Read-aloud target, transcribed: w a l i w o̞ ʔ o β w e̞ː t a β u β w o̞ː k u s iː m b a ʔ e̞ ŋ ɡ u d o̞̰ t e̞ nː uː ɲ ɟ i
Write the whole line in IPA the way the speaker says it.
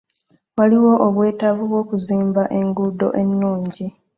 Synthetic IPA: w a l i w o̞ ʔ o β w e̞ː t a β u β w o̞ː k u z iː m b a ʔ e̞ ŋ ɡ u d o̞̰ ʔ e̞ nː uː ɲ ɟ i